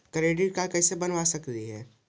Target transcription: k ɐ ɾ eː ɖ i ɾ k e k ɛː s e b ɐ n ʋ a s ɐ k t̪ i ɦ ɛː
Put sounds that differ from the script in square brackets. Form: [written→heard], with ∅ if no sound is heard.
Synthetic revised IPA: k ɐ ɾ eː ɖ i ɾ k [e→a] k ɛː s e b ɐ n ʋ a s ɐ k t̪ i ɦ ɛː

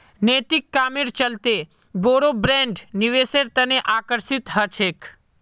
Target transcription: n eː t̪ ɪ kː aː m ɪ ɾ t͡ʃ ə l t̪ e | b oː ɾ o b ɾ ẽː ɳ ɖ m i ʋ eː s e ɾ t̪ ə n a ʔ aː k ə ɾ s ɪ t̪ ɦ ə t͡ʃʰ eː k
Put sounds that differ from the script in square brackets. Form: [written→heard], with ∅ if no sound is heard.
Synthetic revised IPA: n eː t̪ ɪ kː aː m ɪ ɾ t͡ʃ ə l t̪ e | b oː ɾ o b ɾ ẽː ɳ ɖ [m→n] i ʋ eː s e ɾ t̪ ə n [a→e] ʔ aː k ə ɾ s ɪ t̪ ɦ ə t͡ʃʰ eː k

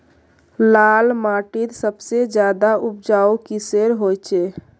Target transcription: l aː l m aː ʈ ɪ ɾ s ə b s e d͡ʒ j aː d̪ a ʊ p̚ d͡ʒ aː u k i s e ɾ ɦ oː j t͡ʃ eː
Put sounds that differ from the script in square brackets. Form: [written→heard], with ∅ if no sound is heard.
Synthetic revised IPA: l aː l m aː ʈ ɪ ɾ s ə b s e d͡ʒ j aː d̪ a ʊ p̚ d͡ʒ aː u k i s e ɾ ɦ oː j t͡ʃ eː

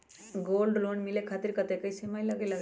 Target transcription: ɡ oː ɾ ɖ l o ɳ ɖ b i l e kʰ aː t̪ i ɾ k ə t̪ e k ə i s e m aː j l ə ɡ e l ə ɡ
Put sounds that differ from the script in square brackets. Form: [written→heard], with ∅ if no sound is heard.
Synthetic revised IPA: ɡ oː [ɾ→l] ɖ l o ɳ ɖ [b→m] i l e kʰ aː t̪ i ɾ k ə t̪ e k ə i s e m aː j l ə ɡ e l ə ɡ

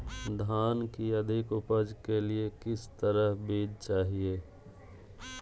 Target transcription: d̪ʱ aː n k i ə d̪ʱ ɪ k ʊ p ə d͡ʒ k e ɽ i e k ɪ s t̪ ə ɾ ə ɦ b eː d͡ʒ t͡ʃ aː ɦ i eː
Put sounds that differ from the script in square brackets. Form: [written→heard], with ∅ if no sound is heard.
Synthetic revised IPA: d̪ʱ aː n k i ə d̪ʱ ɪ k ʊ p ə d͡ʒ k e [ɽ→l] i e k ɪ s t̪ ə ɾ ə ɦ b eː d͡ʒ t͡ʃ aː ɦ i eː

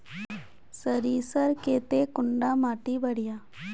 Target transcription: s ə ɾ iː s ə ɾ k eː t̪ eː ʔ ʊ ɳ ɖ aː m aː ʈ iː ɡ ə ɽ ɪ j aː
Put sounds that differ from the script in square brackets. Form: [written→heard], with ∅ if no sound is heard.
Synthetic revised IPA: s ə ɾ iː s ə ɾ k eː t̪ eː [ʔ→k] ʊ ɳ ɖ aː m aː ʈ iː [ɡ→b] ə ɽ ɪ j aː

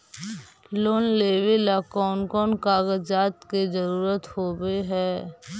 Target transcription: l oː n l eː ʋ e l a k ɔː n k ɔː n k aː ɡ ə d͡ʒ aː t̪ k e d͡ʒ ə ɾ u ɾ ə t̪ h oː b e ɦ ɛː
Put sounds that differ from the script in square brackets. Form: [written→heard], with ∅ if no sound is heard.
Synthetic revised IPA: l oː n l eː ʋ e l a k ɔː n k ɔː n k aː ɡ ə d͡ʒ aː t̪ k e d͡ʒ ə ɾ [u→uː] ɾ ə t̪ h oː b e ɦ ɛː

